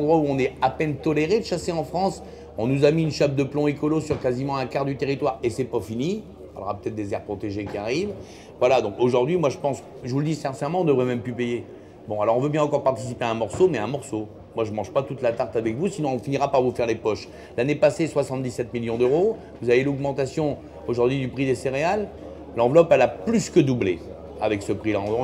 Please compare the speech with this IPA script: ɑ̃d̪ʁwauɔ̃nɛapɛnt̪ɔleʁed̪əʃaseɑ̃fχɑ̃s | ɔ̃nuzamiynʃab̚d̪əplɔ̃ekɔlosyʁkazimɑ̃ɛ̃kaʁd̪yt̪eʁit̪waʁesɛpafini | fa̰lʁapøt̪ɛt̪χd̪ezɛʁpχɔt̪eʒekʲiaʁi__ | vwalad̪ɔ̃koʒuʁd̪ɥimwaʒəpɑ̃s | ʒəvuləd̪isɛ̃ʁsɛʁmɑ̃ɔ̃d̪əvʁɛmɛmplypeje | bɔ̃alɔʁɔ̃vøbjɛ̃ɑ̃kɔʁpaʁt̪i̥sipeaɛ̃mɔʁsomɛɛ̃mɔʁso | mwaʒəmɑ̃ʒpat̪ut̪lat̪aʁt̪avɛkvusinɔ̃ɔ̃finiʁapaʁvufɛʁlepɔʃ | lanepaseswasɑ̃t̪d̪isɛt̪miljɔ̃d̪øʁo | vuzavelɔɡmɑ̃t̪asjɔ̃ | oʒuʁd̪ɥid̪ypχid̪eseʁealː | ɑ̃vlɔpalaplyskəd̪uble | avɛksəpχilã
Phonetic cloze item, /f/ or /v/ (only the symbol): v